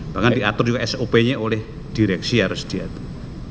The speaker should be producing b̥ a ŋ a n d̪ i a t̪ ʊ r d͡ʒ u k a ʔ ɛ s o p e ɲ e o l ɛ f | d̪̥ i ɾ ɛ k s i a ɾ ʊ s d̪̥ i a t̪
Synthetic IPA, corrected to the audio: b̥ a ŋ a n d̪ i a t̪ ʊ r d͡ʒ u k a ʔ ɛ s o p e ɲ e o l ɛ h | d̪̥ i ɾ ɛ k s i a ɾ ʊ s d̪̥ i a t̪